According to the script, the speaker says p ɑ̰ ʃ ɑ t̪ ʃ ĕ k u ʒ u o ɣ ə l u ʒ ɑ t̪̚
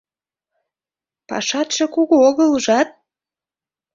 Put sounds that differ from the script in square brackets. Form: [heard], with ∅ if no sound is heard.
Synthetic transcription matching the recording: p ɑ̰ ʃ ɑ t̪ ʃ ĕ k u [ɣ] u o ɣ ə l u ʒ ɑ t̪̚